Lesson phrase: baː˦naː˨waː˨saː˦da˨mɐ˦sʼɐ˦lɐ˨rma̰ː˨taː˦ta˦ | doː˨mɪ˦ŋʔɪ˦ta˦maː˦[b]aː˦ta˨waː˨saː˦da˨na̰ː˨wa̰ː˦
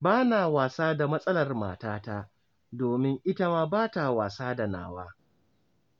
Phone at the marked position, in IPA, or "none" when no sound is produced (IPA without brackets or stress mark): b